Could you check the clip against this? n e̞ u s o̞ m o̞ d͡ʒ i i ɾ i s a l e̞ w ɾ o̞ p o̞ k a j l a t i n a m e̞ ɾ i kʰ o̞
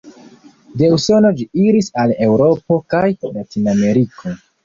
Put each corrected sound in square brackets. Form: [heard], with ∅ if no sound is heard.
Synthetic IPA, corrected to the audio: [d] e̞ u s o̞ [n] o̞ d͡ʒ i i ɾ i s a l e̞ w ɾ o̞ p o̞ k a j l a t i n a m e̞ ɾ i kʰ o̞